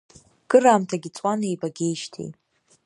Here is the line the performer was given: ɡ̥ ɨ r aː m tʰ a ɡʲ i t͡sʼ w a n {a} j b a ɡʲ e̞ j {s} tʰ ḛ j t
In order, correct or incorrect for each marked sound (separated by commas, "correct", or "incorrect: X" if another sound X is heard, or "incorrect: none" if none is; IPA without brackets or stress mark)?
incorrect: e, incorrect: ʃ